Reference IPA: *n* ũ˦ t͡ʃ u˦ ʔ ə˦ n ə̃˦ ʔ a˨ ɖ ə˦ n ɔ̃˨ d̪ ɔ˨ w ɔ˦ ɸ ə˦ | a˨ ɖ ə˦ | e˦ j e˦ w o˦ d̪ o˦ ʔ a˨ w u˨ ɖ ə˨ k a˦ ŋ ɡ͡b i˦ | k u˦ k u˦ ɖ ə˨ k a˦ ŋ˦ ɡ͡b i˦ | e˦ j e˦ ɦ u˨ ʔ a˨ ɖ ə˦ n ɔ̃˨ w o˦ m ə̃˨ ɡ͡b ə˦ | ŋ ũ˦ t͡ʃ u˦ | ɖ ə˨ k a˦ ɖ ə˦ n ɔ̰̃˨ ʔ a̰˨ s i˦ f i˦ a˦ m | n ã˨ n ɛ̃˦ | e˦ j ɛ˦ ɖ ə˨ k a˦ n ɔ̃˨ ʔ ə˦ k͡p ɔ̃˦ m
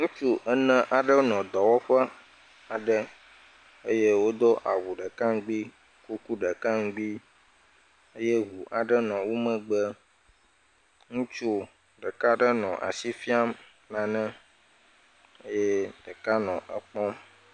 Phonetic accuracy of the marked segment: incorrect: ŋ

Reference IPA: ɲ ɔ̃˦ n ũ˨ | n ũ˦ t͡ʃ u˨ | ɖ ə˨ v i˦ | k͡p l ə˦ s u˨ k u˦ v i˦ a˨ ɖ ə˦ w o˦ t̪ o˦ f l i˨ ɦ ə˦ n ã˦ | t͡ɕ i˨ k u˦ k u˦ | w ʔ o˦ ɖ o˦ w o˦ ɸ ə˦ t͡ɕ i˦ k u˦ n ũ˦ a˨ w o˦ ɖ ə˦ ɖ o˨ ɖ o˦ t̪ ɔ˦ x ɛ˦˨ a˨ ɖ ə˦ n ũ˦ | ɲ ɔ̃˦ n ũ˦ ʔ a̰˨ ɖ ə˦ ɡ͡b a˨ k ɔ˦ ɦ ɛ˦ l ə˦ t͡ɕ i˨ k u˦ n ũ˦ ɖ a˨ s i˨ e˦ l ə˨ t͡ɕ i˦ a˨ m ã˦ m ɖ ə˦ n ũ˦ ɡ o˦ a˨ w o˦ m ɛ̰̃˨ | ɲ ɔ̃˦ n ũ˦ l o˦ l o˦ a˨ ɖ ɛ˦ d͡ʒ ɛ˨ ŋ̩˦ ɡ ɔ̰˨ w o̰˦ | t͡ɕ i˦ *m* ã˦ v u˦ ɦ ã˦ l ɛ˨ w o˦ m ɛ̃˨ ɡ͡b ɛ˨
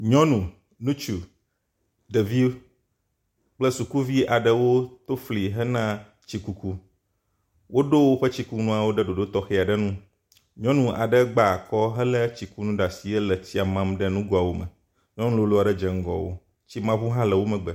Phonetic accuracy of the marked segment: correct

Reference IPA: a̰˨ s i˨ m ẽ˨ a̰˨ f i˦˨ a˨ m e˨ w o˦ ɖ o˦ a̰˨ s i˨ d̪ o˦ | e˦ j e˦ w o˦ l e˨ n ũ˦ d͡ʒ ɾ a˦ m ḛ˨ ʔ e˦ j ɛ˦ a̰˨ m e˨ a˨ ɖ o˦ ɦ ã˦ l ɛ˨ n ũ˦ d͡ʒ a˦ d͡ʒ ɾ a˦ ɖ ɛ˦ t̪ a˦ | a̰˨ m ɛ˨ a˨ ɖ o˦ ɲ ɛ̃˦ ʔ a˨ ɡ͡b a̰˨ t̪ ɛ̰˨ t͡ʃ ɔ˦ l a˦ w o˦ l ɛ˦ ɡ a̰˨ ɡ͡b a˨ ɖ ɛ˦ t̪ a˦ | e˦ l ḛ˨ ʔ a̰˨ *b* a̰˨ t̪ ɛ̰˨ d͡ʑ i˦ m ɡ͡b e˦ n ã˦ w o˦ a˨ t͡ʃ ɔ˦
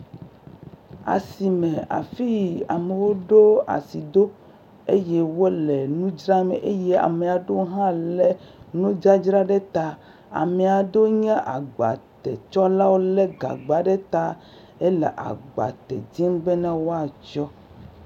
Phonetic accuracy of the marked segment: incorrect: ɡ͡b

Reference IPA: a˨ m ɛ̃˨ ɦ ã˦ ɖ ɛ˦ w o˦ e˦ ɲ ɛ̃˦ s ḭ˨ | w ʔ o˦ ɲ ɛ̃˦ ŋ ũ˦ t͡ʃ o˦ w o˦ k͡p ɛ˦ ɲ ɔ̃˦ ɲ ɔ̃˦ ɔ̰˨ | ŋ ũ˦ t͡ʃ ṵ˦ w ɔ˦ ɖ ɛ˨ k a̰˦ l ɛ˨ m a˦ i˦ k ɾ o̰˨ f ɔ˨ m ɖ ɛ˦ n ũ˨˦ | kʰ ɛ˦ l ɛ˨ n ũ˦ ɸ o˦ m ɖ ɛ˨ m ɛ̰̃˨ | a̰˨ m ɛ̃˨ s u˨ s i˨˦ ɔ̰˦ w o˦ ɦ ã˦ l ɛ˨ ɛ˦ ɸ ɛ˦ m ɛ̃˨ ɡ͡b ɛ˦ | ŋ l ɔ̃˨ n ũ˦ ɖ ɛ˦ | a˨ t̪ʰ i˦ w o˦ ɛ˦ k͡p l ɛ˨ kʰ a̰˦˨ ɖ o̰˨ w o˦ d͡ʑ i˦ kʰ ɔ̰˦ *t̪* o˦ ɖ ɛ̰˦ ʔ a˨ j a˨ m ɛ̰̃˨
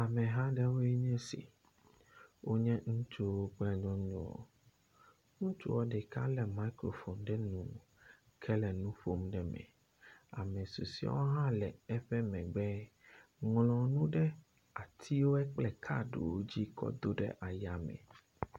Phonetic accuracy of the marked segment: incorrect: d̪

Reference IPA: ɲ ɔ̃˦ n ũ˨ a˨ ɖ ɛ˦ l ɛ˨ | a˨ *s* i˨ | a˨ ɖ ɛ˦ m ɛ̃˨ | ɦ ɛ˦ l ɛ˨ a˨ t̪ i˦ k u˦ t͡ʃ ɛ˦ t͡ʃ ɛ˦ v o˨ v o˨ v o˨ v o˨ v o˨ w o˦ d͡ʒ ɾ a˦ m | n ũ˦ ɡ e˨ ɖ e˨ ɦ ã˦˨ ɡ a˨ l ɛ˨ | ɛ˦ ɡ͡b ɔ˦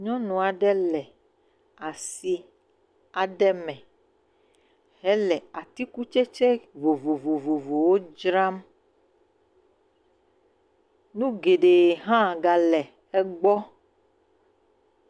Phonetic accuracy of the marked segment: correct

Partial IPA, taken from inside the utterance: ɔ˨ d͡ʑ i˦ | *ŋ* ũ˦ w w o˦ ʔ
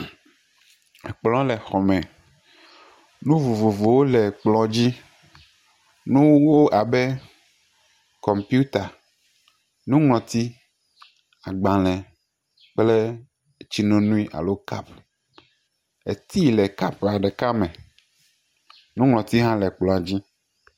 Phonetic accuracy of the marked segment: incorrect: n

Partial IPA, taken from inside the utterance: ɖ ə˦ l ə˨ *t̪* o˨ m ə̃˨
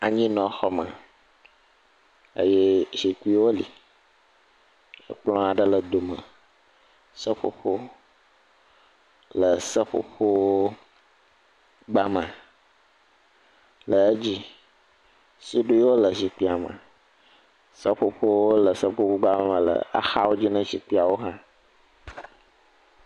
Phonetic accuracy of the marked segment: incorrect: d̪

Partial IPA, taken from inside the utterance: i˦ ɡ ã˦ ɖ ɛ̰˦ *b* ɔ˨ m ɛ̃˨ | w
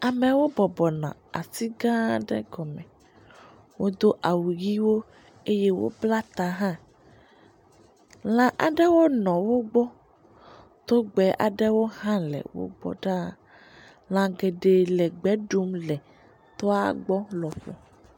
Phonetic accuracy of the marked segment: incorrect: ɡ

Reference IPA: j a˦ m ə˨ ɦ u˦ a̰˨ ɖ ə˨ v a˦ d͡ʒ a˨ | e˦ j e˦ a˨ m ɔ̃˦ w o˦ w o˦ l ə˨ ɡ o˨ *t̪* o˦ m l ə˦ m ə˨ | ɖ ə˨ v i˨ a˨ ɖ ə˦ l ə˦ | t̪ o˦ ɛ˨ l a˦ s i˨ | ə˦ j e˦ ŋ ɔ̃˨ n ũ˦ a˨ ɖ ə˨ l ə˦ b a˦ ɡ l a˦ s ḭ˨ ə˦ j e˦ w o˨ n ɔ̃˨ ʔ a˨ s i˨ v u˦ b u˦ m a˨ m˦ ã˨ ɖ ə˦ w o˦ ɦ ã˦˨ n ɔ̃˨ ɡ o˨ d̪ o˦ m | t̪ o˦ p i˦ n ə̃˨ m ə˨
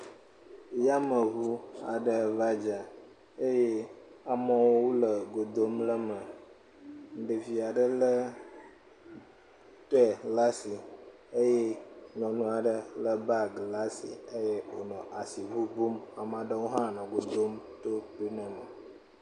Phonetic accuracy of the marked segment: incorrect: d̪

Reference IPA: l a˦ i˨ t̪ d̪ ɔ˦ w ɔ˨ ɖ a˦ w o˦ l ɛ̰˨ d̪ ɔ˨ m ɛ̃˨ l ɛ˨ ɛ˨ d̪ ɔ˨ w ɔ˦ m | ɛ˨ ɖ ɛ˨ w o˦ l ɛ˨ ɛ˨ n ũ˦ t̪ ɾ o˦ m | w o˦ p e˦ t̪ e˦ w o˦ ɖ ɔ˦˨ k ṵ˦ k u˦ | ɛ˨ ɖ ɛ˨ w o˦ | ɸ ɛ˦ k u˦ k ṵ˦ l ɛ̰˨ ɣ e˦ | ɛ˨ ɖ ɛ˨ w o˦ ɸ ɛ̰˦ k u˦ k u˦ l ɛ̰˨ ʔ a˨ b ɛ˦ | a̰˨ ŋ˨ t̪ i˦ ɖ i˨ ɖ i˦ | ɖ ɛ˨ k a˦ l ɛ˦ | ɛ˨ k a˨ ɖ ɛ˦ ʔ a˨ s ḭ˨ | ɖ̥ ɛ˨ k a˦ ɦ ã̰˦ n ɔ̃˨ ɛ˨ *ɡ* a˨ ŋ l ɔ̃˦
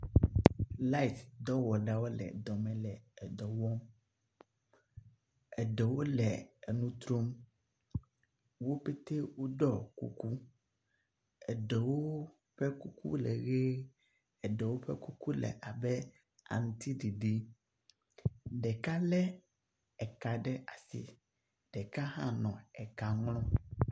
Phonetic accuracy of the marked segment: incorrect: k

